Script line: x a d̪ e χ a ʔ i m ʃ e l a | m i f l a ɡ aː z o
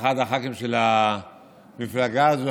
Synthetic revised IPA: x a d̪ a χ a k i m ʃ e l a | m i f l a ɡ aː z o